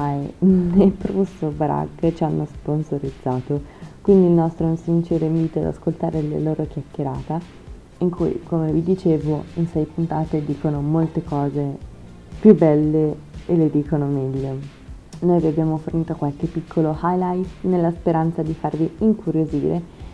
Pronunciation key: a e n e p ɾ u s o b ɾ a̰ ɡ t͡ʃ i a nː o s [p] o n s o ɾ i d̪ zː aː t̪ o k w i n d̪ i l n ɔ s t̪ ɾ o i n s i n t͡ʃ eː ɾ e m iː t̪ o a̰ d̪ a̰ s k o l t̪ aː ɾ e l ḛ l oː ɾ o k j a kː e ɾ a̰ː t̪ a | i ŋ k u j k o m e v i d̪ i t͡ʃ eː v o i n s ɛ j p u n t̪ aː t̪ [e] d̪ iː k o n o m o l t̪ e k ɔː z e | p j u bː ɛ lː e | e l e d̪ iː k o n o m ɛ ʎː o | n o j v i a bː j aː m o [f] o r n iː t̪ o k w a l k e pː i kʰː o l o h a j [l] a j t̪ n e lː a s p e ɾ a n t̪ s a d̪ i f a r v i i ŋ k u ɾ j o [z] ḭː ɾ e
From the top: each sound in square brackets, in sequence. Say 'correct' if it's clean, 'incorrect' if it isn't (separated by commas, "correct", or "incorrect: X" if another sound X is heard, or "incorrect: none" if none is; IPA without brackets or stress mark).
correct, correct, correct, correct, correct